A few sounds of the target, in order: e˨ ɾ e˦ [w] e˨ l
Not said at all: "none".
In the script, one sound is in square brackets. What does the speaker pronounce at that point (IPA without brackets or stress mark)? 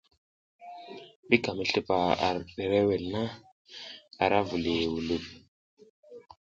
w